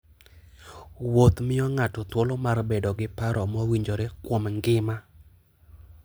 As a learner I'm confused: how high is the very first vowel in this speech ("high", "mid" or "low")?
mid